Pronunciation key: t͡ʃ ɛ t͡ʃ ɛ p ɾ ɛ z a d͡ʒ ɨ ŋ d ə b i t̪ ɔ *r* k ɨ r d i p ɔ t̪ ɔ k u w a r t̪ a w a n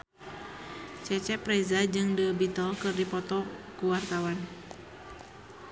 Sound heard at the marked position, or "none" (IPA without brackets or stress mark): l